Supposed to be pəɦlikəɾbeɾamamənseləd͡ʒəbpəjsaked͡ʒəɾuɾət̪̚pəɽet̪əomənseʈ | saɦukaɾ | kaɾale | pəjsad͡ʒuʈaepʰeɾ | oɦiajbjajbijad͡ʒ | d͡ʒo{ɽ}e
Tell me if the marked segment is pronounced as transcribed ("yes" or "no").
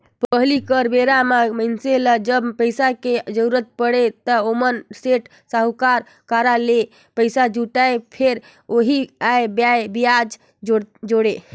yes